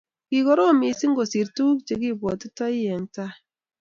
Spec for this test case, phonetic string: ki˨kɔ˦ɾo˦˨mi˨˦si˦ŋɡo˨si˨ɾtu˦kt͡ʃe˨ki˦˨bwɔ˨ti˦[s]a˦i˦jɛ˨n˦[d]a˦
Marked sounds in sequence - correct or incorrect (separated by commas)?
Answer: incorrect, incorrect